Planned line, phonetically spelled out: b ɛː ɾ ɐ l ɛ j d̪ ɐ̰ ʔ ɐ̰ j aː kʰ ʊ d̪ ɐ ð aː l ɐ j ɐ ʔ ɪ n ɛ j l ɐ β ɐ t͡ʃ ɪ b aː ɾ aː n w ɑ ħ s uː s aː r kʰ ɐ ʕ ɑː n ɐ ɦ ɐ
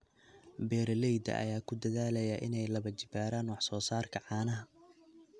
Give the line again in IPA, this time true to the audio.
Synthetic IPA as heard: b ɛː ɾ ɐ l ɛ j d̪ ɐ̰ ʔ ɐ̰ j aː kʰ ʊ d̪ ɐ ð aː l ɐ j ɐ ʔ ɪ n ɛ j l ɐ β ɐ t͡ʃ ɪ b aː ɾ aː n w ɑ ħ s ɔː s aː r kʰ ɐ ʕ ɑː n ɐ ɦ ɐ